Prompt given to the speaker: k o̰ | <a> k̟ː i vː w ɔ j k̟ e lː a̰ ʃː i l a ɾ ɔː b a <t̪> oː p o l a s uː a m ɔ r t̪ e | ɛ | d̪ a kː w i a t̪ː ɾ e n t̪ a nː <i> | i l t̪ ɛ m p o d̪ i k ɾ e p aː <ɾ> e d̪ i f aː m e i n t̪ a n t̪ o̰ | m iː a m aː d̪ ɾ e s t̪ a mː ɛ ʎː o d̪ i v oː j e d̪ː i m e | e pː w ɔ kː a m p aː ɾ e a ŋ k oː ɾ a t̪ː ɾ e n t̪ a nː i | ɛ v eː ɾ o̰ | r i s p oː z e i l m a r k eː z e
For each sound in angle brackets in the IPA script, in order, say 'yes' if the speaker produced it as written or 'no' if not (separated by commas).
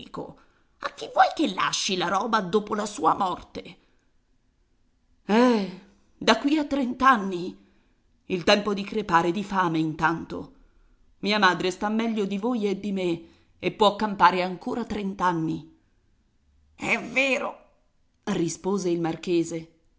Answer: yes, no, yes, yes